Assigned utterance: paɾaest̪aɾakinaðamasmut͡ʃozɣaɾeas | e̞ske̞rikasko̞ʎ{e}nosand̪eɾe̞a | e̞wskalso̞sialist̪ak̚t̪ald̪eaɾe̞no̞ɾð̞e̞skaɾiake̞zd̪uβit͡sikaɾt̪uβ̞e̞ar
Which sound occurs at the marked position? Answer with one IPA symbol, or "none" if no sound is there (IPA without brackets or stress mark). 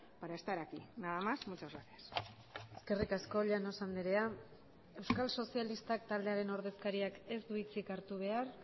a